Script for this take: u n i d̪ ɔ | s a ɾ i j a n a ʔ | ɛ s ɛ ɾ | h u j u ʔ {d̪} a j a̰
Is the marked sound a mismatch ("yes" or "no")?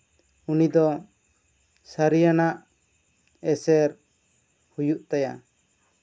yes